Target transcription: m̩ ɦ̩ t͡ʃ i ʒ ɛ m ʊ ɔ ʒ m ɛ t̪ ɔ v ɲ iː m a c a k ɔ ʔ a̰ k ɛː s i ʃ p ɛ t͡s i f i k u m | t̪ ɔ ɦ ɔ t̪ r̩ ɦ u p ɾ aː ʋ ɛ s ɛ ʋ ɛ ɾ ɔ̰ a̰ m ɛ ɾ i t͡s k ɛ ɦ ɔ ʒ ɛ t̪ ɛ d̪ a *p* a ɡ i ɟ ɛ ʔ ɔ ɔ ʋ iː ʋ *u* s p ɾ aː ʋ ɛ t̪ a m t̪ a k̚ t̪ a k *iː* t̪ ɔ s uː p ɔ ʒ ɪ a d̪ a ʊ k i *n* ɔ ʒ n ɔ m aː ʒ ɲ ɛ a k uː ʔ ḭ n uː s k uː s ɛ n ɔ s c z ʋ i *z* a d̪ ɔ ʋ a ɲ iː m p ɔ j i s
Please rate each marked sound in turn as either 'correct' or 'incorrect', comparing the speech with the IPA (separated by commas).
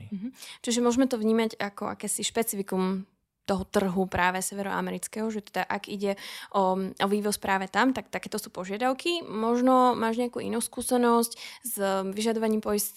incorrect, incorrect, incorrect, incorrect, incorrect